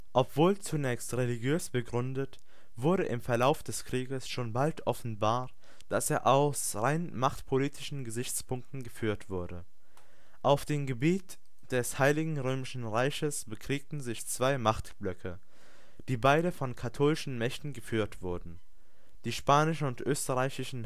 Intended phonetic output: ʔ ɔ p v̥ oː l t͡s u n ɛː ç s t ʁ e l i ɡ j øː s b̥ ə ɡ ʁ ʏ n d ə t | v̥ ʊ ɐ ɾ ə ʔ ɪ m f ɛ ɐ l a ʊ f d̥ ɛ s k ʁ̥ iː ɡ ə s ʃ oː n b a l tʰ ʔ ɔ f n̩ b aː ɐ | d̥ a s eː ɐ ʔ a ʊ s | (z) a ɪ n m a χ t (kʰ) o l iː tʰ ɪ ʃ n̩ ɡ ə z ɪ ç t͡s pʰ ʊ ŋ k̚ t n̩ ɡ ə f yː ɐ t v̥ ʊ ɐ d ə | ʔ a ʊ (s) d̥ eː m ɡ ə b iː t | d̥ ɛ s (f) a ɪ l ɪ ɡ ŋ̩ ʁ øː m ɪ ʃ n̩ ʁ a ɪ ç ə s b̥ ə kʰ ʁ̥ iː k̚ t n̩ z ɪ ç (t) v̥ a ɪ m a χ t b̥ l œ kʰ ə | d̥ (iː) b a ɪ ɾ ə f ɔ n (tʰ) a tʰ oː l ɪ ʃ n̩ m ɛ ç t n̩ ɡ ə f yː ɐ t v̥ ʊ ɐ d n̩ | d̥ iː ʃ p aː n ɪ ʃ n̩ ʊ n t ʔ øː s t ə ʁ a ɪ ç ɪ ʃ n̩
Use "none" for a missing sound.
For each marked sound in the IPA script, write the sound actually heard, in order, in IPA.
ʁ, pʰ, f, h, t͡s, iː, kʰ

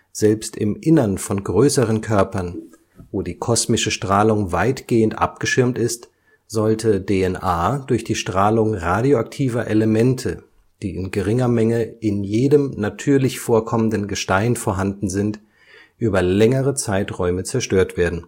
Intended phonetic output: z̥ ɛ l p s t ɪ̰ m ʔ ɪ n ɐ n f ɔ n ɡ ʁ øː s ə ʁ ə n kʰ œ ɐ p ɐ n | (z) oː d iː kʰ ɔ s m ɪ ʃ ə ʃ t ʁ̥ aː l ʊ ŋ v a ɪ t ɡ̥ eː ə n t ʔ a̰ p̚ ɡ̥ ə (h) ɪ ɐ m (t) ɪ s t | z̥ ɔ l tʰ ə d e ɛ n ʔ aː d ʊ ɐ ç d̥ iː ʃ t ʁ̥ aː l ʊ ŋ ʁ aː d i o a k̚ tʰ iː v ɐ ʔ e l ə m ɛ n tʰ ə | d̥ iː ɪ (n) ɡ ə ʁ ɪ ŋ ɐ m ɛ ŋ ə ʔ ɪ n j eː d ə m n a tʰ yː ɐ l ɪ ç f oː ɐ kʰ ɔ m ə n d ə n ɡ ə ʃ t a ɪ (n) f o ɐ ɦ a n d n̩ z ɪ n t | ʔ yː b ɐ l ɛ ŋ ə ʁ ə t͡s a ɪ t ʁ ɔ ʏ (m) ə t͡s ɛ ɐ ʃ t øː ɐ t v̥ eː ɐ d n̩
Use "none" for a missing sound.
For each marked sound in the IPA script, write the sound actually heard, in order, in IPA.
v, ʃ, t, n, n, m

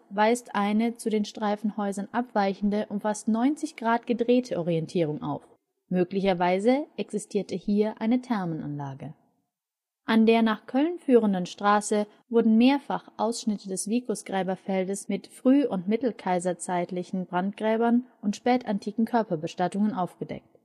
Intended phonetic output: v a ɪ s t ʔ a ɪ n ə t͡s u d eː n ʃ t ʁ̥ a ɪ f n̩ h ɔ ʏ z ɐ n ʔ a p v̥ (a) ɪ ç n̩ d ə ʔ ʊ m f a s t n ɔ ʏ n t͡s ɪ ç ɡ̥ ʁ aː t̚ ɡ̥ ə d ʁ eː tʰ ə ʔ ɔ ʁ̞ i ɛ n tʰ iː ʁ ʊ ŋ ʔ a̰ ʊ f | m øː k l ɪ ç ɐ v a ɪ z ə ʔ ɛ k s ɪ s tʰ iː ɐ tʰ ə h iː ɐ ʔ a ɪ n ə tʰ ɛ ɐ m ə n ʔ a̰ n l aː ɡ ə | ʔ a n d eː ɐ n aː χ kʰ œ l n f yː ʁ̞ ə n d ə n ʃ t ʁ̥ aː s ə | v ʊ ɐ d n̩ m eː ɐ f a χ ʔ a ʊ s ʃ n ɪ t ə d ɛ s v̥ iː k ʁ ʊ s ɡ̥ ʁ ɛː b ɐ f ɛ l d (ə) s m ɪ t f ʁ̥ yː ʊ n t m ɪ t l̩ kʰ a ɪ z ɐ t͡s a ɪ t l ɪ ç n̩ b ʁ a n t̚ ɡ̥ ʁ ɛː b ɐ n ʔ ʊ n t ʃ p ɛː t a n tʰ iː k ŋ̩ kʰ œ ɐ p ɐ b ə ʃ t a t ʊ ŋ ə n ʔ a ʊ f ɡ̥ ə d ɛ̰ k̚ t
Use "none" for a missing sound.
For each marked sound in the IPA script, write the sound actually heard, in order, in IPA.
a, ə

